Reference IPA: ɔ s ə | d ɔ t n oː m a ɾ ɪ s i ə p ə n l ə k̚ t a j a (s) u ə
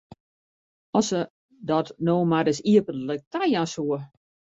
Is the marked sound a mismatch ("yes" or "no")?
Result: no